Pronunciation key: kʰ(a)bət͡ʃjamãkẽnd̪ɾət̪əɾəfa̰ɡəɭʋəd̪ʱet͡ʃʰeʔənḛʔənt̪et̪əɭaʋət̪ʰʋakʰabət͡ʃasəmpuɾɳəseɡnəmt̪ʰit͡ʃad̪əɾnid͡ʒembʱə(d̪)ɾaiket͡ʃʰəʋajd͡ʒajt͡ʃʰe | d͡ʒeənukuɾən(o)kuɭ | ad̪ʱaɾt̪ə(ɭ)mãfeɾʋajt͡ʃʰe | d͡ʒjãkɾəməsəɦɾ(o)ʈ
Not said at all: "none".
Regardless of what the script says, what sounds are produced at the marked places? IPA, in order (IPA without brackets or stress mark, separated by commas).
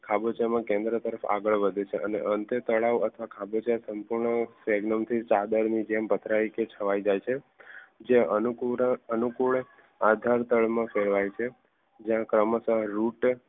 a, t̪, u, ɭ, u